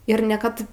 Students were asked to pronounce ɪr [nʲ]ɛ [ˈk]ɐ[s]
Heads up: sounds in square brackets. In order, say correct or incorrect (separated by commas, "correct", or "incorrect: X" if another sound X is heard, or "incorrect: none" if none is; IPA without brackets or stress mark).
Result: correct, correct, incorrect: t